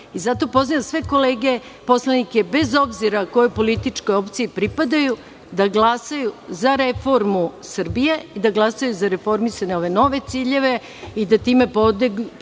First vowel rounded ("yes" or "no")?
no